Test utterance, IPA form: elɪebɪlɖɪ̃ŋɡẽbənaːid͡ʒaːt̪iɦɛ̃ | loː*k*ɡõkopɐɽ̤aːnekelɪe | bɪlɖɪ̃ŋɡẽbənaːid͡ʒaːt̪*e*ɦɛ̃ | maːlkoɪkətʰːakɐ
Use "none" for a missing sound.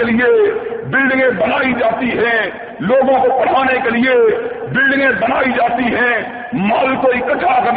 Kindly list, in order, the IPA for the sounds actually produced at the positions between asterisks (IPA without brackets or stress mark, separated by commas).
none, i